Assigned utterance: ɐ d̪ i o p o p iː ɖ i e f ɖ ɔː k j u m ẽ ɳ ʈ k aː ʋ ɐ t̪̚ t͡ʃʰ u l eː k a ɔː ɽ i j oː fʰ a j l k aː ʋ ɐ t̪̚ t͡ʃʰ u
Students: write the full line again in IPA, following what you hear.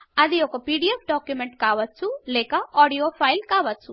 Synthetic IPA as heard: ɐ d̪ i o k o p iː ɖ i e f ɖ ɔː k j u m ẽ ɳ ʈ k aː ʋ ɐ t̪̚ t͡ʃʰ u l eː k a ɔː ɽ i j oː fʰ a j l k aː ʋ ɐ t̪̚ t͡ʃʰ u